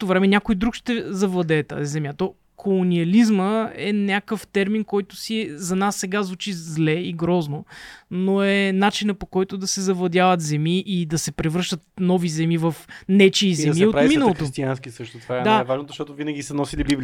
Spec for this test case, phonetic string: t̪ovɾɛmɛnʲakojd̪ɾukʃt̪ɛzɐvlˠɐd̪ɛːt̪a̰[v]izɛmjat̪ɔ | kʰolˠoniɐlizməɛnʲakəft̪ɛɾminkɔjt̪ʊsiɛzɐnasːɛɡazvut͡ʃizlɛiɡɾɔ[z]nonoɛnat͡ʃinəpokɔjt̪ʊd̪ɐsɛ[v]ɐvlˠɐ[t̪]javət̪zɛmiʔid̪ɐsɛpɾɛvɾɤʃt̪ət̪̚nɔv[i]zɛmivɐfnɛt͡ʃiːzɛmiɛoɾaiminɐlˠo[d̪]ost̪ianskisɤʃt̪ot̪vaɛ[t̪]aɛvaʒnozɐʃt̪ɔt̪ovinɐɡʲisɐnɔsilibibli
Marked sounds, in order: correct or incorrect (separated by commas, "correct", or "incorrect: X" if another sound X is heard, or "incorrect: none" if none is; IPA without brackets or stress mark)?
incorrect: z, correct, incorrect: z, incorrect: d̪, correct, incorrect: t̪, incorrect: d̪